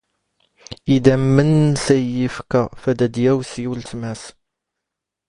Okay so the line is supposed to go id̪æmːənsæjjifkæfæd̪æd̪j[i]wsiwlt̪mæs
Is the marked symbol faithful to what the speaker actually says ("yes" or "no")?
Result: no